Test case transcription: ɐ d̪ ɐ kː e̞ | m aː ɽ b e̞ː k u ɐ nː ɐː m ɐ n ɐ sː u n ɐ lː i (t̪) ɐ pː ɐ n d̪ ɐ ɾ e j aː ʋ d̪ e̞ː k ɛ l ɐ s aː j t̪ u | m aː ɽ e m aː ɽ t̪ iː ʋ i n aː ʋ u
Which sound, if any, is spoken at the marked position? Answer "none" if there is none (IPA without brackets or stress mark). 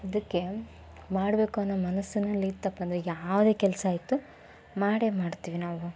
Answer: t̪